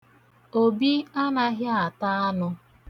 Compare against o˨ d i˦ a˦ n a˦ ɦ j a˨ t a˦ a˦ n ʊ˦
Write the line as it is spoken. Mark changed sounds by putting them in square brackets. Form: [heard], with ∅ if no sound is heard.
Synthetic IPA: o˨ [b] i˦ a˦ n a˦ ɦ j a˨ t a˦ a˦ n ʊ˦

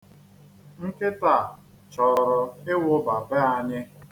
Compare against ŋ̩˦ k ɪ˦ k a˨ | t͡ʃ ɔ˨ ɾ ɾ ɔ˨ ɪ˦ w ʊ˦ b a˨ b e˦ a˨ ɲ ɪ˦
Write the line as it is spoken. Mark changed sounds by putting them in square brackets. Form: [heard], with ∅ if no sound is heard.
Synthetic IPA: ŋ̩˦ k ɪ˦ [t] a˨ | t͡ʃ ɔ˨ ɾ ɾ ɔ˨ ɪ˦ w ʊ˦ b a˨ b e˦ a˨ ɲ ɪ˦

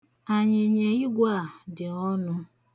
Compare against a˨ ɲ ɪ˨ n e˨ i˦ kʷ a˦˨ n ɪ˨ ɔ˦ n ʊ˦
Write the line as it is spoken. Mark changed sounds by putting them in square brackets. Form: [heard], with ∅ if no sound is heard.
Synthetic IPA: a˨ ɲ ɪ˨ [ɲ] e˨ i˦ [ɡʷ] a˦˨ [d] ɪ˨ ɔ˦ n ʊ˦

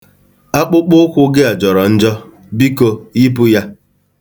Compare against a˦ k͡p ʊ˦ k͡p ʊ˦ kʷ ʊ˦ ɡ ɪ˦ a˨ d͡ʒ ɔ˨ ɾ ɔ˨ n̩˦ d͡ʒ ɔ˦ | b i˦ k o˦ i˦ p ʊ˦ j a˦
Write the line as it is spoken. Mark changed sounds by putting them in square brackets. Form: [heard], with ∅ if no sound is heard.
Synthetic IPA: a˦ k͡p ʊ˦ k͡p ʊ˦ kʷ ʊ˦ ɡ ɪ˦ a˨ d͡ʒ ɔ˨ ɾ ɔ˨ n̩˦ d͡ʒ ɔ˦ | b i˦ k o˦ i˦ p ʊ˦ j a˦

